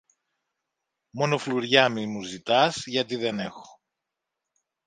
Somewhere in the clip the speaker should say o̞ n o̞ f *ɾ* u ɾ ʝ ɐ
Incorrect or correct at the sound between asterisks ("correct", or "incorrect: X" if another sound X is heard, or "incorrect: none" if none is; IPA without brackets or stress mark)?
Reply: incorrect: l